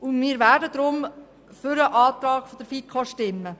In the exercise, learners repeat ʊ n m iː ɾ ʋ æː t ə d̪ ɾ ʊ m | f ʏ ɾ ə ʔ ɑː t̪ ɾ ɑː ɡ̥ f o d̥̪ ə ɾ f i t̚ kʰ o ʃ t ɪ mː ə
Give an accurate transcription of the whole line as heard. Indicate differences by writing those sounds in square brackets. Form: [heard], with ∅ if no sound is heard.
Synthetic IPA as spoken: ʊ n m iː ɾ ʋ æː [d] ə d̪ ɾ ʊ m | f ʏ ɾ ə ʔ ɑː t̪ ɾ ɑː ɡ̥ f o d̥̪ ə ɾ f i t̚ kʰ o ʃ t ɪ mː ə